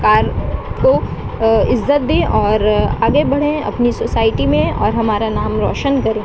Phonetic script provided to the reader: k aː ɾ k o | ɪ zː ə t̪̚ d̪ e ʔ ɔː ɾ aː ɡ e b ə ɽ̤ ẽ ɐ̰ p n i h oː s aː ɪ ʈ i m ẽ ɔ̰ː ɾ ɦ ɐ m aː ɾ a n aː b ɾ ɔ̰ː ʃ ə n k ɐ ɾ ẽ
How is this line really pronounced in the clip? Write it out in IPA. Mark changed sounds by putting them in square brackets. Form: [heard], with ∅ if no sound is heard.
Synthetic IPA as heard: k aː ɾ k o | ɪ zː ə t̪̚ d̪ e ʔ ɔː ɾ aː ɡ e b [ɐ] ɽ̤ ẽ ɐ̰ p n i [s] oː s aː ɪ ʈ i m ẽ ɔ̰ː ɾ ɦ ɐ m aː ɾ a n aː [m] ɾ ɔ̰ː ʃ ə n k ɐ ɾ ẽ

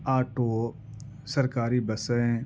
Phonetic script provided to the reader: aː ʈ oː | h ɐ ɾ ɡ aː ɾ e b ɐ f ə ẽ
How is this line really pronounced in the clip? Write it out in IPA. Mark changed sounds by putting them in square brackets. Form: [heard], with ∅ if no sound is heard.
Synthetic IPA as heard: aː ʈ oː | [s] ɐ ɾ [k] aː ɾ [i] b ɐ [s] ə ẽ

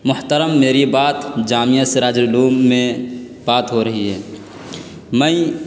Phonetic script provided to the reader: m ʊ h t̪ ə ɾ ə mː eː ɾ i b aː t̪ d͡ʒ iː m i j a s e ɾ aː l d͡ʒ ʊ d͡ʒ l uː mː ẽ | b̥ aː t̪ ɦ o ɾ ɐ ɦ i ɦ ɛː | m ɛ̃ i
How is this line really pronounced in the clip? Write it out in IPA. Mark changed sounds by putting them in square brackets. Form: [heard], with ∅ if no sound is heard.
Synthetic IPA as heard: m ʊ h t̪ ə ɾ ə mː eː ɾ i b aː t̪ d͡ʒ [aː] m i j a s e ɾ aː [∅] d͡ʒ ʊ [∅] l uː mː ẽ | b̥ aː t̪ ɦ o ɾ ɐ ɦ i ɦ ɛː | m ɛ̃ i

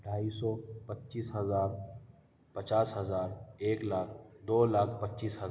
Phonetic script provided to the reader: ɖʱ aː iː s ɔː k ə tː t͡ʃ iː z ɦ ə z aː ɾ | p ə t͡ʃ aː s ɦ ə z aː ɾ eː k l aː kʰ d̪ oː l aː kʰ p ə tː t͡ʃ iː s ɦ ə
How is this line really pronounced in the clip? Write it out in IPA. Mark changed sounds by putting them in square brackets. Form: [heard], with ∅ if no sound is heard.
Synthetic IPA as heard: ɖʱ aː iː s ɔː [p] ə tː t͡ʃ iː [s] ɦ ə z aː ɾ | p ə t͡ʃ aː s ɦ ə z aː ɾ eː k l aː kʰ d̪ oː l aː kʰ p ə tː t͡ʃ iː s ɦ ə

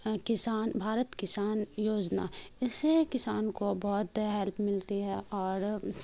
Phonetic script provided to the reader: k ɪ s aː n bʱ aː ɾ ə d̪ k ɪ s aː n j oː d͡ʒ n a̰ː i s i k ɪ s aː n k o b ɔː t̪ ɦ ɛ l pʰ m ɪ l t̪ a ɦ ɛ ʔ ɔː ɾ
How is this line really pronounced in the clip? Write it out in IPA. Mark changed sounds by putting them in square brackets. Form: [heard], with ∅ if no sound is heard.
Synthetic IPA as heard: k ɪ s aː n bʱ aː ɾ ə [t̪] k ɪ s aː n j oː d͡ʒ n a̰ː [ɪ] s [e] k ɪ s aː n k o b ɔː t̪ ɦ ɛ l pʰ m ɪ l t̪ [i] ɦ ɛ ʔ ɔː ɾ

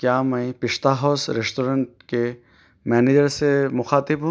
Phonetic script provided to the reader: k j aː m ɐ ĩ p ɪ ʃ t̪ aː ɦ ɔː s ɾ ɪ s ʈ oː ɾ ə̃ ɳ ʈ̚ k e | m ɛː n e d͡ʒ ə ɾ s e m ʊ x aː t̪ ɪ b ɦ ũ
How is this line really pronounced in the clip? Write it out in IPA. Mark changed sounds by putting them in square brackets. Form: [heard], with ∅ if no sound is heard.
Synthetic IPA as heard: k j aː m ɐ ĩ p ɪ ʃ t̪ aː ɦ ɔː s ɾ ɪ s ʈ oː ɾ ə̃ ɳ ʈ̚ k e | m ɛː n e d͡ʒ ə ɾ s e m ʊ x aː t̪ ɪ b ɦ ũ

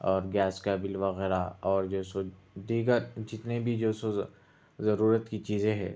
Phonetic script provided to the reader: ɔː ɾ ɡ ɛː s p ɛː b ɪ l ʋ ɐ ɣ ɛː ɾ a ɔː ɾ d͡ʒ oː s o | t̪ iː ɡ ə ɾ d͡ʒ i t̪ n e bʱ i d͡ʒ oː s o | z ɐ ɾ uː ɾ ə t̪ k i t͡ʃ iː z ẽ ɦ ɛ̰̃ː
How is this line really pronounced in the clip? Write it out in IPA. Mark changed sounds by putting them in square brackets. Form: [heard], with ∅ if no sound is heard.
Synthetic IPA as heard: ɔː ɾ ɡ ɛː s [k] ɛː b ɪ l ʋ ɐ ɣ ɛː ɾ a ɔː ɾ d͡ʒ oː s o | [d̪] iː ɡ ə ɾ d͡ʒ [ɪ] t̪ n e bʱ i d͡ʒ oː s o | z ɐ ɾ uː ɾ ə t̪ k i t͡ʃ iː z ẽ ɦ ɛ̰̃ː

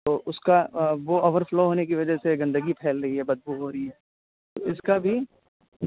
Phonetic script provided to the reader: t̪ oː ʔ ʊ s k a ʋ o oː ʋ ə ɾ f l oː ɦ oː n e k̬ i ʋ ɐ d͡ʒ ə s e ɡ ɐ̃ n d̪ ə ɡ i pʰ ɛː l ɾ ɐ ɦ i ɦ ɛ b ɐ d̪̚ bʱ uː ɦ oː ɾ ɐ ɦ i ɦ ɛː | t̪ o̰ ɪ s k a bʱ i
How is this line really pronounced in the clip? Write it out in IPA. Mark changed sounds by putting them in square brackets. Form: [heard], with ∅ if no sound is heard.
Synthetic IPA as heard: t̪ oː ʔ ʊ s k a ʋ o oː ʋ ə ɾ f l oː ɦ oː n e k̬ i ʋ ɐ d͡ʒ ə s e ɡ ɐ̃ n d̪ ə ɡ i pʰ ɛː l ɾ ɐ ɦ i ɦ ɛ b ɐ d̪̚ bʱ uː ɦ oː ɾ ɐ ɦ i ɦ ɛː | t̪ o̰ ɪ s k a bʱ i

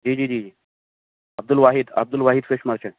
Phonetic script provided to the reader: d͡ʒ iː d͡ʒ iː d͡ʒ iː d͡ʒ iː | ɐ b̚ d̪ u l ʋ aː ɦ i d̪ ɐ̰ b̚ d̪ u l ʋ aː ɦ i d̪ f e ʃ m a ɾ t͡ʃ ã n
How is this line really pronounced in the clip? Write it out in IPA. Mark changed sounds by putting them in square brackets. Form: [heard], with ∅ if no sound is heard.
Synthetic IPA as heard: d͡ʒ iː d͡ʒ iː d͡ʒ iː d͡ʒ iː | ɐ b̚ d̪ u l ʋ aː ɦ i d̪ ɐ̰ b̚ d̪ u l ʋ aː ɦ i d̪ f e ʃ m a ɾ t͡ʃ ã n

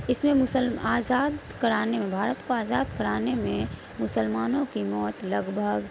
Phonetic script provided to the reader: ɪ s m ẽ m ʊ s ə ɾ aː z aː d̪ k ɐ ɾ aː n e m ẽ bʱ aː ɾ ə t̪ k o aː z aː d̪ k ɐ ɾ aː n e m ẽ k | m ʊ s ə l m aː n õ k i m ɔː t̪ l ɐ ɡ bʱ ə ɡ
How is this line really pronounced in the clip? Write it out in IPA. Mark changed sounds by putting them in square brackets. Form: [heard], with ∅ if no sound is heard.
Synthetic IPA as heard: ɪ s m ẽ m ʊ s ə [l] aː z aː d̪ k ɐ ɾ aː n e m ẽ bʱ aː ɾ ə t̪ k o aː z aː d̪ k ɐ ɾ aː n e m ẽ [∅] | m ʊ s ə l m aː n õ k i m ɔː t̪ l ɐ ɡ bʱ ə ɡ

